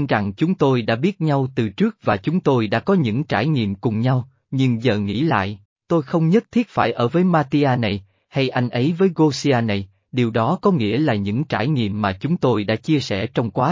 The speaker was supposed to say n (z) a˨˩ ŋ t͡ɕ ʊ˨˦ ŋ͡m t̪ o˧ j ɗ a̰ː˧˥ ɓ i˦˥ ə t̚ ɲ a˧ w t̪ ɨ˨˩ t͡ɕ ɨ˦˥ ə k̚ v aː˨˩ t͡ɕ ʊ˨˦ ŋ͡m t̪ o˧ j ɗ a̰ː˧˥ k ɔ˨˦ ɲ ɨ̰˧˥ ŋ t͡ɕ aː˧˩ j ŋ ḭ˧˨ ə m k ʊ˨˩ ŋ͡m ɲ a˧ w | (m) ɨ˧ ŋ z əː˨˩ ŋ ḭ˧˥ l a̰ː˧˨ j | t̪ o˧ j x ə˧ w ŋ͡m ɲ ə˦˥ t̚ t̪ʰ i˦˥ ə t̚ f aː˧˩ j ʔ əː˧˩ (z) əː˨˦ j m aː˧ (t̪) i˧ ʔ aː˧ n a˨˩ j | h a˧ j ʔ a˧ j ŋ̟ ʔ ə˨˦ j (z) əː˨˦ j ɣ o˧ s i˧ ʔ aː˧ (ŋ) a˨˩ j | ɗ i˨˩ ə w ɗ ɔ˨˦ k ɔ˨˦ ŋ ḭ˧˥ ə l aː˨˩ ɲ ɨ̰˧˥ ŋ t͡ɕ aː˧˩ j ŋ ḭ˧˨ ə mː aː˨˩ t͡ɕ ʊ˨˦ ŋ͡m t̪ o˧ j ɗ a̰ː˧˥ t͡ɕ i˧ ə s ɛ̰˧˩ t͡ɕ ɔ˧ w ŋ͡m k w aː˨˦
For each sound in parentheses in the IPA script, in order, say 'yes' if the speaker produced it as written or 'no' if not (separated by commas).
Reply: yes, no, no, yes, no, no